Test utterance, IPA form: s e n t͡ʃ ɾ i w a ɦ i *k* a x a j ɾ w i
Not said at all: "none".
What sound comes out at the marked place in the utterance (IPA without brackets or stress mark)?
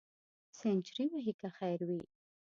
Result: k